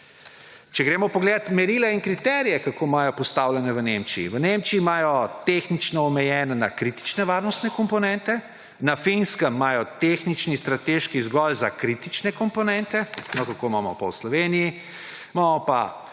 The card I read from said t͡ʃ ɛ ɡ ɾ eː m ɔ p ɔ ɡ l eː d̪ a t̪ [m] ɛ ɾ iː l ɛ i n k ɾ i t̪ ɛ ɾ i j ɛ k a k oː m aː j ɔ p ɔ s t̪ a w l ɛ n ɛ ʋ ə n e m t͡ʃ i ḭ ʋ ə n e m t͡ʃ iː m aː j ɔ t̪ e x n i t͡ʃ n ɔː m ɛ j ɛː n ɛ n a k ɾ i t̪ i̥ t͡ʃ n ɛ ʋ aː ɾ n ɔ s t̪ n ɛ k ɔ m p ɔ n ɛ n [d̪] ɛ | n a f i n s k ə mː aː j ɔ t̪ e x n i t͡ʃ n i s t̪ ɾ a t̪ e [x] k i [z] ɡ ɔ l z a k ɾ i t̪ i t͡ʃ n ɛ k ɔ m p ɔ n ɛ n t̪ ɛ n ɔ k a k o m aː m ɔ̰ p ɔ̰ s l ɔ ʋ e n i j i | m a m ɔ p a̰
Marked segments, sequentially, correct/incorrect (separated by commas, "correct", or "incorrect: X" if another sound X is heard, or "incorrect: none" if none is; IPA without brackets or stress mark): correct, incorrect: t̪, incorrect: ʃ, correct